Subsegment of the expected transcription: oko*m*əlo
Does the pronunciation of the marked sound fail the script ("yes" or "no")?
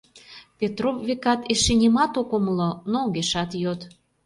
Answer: no